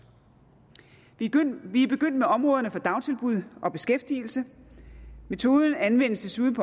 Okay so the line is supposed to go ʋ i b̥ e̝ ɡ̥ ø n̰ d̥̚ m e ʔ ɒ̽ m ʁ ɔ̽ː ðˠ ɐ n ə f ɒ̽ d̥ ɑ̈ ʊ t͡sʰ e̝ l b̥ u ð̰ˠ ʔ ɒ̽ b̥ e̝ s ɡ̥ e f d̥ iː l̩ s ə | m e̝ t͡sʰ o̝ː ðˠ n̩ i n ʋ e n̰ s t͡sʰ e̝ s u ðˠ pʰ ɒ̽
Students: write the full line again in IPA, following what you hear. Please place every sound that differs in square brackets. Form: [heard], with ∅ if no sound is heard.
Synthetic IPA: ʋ i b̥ e̝ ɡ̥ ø n̰ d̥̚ m e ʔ ɒ̽ m ʁ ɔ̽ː ðˠ ɐ n ə f ɒ̽ d̥ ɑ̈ ʊ t͡sʰ e̝ l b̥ u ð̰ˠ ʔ ɒ̽ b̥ e̝ s ɡ̥ e f d̥ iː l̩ s ə | m e̝ t͡sʰ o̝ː ðˠ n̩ [æ] n ʋ e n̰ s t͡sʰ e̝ s u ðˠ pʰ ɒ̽